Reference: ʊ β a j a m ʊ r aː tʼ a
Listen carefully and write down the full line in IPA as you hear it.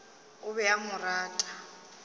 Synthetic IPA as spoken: ʊ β ɛ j a m ʊ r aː tʼ a